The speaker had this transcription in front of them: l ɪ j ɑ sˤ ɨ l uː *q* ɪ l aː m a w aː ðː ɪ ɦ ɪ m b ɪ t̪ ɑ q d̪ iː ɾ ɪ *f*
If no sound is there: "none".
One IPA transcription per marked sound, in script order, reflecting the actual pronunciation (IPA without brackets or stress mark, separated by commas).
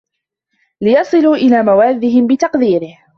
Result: ʔ, h